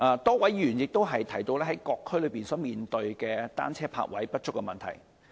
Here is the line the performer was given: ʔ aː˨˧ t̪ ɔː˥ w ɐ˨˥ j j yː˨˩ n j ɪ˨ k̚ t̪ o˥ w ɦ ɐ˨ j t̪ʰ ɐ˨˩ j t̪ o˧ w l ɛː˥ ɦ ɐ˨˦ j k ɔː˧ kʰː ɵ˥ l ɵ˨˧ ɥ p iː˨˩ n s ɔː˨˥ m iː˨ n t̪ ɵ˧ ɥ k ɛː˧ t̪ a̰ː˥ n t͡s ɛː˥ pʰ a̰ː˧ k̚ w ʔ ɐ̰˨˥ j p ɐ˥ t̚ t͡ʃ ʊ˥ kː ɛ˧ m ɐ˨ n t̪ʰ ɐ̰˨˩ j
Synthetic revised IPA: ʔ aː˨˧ t̪ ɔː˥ w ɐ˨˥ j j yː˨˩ n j ɪ˨ k̚ t̪ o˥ w ɦ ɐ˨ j t̪ʰ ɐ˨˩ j t̪ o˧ w l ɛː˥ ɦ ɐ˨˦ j k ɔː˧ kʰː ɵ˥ l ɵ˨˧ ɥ p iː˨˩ n s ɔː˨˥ m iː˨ n t̪ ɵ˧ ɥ k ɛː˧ t̪ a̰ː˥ n t͡sʰ ɛː˥ pʰ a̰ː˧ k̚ w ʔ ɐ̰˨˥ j p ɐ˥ t̚ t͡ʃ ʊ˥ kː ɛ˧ m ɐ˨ n t̪ʰ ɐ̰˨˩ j